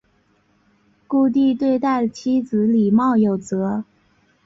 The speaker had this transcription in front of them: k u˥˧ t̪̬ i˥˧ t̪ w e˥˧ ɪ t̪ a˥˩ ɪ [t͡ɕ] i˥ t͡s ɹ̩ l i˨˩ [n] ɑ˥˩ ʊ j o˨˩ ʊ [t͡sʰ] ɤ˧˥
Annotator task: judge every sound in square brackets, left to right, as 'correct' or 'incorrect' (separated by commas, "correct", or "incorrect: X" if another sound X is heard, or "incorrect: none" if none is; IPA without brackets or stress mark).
incorrect: t͡ɕʰ, incorrect: m, incorrect: t͡s